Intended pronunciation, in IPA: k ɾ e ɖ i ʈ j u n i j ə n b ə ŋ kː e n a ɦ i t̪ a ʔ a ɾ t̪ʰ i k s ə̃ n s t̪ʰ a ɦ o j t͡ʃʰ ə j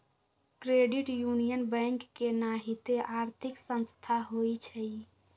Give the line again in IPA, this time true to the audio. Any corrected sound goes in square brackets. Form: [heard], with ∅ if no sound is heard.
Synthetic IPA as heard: k ɾ e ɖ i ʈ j u n i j ə n b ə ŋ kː e n a ɦ i t̪ [e] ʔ a ɾ t̪ʰ i k s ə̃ n s t̪ʰ a ɦ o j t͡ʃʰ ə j